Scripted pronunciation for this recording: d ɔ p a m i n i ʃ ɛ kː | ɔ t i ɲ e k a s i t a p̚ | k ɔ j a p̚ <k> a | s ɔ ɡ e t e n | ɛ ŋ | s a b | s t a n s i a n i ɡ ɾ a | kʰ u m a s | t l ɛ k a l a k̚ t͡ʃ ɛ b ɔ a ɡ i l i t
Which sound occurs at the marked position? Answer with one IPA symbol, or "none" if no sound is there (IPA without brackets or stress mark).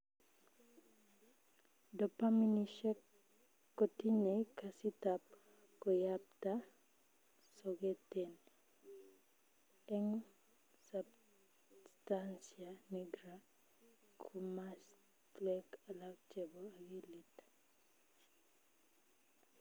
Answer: t